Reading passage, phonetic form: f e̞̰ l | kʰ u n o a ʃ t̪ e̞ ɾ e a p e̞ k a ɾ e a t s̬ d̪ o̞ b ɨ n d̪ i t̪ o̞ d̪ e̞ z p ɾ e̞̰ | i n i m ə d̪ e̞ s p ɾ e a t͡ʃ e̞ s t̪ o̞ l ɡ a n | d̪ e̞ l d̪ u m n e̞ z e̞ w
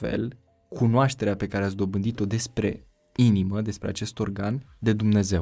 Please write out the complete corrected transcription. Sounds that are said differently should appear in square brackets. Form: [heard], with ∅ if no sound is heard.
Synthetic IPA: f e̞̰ l | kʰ u n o a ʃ t̪ e̞ ɾ e a p e̞ k a ɾ e a t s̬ d̪ o̞ b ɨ n d̪ i t̪ o̞ d̪ e̞ [s] p ɾ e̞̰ | i n i m ə d̪ e̞ s p ɾ e a t͡ʃ e̞ s t̪ o̞ [r] ɡ a n | d̪ e̞ [∅] d̪ u m n e̞ z e̞ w